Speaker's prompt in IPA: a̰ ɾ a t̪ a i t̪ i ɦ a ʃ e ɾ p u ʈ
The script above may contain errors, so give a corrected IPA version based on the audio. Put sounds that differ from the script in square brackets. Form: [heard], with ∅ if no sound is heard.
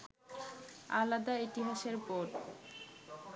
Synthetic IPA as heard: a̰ [l] a [d̪] a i t̪ i ɦ a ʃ e ɾ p [o] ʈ